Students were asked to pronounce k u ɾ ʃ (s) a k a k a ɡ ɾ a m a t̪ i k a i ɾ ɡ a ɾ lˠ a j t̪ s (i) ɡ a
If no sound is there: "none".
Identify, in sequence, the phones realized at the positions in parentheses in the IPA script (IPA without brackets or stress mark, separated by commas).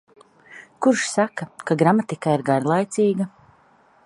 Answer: s, iː